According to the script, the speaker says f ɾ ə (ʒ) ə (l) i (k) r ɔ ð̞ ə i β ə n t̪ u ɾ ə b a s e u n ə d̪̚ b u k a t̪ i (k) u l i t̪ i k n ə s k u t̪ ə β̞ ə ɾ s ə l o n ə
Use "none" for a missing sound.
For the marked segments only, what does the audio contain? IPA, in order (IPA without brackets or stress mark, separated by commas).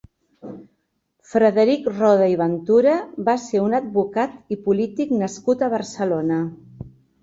ð, ɾ, k, p